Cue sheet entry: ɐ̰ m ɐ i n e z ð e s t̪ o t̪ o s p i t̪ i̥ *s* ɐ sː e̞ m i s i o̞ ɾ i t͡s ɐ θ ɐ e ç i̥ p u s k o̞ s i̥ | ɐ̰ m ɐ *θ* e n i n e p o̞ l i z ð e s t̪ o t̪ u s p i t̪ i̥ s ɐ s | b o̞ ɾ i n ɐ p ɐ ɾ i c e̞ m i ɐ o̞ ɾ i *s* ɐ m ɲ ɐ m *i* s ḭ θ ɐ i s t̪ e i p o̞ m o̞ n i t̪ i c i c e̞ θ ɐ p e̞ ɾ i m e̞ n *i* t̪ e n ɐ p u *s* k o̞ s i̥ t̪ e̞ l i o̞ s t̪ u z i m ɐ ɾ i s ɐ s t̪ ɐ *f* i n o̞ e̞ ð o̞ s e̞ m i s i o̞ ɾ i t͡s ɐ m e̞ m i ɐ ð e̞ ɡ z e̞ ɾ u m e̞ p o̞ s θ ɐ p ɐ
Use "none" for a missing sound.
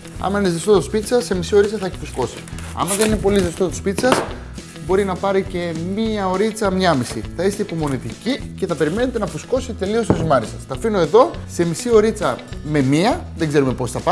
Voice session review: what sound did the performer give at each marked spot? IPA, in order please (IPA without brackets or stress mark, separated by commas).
s, ð, t͡s, i, e, s, f